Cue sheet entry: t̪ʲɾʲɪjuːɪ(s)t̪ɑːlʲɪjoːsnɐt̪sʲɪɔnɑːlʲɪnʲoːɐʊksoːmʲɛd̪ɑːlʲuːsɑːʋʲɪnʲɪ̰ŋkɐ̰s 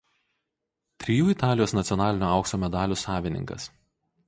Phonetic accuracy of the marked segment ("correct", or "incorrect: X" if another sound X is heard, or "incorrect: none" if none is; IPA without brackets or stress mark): incorrect: none